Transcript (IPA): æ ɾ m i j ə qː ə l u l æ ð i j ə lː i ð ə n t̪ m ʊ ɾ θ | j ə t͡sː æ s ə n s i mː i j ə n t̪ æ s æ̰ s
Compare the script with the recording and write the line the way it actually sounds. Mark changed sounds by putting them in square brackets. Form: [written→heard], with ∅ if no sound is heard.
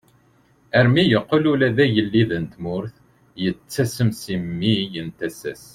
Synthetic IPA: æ ɾ m i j ə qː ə l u l æ ð [i→æ] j ə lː i ð ə n t̪ m ʊ ɾ θ | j ə t͡sː æ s ə [n→m] s i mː i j ə n t̪ æ s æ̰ s